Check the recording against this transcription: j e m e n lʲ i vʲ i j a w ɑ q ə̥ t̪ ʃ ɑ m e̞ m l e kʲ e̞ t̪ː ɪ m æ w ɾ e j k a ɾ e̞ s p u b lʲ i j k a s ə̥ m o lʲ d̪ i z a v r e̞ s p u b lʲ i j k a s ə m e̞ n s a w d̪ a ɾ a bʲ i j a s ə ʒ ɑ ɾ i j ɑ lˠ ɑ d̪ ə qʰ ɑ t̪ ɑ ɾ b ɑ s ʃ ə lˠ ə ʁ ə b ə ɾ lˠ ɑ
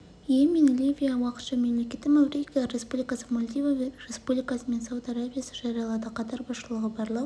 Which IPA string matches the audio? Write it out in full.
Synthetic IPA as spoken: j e m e n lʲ i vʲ i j a w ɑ q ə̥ t̪ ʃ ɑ m e̞ m l e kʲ e̞ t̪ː ɪ m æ w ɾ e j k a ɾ e̞ s p u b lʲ i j k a s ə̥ m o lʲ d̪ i v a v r e̞ s p u b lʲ i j k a s ə m e̞ n s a w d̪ a ɾ a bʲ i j a s ə ʒ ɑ ɾ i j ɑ lˠ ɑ d̪ ə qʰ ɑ t̪ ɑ ɾ b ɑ s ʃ ə lˠ ə ʁ ə b ɑ ɾ lˠ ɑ